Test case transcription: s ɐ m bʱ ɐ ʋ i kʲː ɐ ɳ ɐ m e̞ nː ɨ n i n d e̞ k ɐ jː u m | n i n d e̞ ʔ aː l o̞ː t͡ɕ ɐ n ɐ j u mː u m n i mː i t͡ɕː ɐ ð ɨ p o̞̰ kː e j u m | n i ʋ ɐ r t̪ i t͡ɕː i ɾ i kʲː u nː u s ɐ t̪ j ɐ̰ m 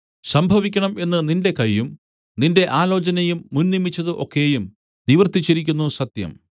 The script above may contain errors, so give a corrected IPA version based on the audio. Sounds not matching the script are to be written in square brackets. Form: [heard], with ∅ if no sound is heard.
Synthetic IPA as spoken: s ɐ m bʱ ɐ ʋ i kʲː ɐ ɳ ɐ m e̞ nː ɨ n i n d e̞ k ɐ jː u m | n i n d e̞ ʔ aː l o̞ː t͡ɕ ɐ n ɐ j u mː u [n] n i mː i t͡ɕː ɐ ð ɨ [ʔ] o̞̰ kː e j u m | n i ʋ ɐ r t̪ i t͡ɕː i ɾ i kʲː u nː u s ɐ t̪ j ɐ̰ m